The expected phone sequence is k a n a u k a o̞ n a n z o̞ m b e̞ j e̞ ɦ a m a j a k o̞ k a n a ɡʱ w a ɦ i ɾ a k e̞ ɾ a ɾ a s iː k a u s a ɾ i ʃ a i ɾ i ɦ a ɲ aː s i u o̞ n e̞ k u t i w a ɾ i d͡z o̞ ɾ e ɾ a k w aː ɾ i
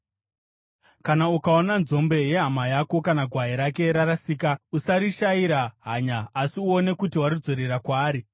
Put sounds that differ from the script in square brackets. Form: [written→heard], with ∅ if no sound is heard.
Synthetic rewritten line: k a n a u k a o̞ n a n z o̞ m b e̞ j e̞ ɦ a m a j a k o̞ k a n a ɡʱ w a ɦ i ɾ a k e̞ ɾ a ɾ a s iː k a u s a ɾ i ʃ a i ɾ [i→a] ɦ a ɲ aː s i u o̞ n e̞ k u t i w a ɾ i d͡z o̞ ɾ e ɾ a k w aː ɾ i